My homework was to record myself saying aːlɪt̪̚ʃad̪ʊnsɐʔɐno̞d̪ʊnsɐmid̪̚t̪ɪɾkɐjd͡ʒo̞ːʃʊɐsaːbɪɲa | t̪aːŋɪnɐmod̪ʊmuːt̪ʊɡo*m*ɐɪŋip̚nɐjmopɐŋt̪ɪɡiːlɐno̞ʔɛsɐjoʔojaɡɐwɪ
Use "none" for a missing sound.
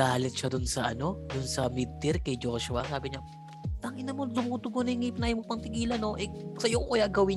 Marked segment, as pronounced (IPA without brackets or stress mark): n